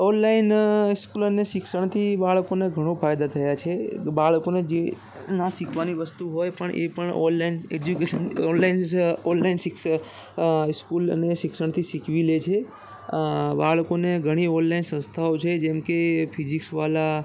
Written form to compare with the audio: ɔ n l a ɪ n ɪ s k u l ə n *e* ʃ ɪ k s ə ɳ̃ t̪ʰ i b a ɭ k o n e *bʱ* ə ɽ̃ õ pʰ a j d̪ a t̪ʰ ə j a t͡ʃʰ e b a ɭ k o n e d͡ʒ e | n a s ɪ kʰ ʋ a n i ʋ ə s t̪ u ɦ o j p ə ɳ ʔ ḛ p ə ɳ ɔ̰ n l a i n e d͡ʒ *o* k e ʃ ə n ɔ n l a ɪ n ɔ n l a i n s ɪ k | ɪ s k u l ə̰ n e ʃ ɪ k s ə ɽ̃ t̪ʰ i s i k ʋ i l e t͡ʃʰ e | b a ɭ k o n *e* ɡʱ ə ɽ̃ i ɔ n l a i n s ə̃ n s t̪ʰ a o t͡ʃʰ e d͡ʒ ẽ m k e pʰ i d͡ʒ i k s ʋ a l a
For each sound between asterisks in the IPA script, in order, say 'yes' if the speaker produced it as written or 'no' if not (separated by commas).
yes, no, no, yes